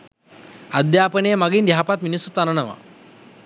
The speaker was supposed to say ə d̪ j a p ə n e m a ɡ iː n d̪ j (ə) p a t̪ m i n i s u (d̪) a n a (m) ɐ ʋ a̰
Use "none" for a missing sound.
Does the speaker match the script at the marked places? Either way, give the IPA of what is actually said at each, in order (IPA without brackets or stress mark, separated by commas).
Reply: a, t̪, n